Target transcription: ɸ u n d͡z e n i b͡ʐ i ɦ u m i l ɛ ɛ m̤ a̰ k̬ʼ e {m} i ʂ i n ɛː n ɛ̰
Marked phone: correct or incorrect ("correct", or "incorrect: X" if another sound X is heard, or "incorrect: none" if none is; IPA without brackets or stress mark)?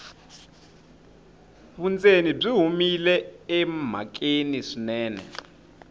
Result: incorrect: n